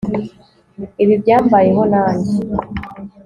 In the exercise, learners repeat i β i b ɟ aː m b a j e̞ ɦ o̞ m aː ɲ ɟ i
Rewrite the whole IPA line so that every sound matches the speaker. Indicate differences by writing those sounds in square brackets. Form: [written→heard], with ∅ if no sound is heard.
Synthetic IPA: i β i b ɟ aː m b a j e̞ ɦ o̞ [m→n] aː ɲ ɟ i